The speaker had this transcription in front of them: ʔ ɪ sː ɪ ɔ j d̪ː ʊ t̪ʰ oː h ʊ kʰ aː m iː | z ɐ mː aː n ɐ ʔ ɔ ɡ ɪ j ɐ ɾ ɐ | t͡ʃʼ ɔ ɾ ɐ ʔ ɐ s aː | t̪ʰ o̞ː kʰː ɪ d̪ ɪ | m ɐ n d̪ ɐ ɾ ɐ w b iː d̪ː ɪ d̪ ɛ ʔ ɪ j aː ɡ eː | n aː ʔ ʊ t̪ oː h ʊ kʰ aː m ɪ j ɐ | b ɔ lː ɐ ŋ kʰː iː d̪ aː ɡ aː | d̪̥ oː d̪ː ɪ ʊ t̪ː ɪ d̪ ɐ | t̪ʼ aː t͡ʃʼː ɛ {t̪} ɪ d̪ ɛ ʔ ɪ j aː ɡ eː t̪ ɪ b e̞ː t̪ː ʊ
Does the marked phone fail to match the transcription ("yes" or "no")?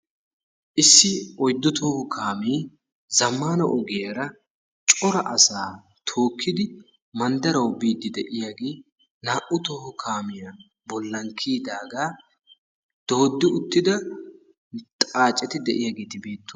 no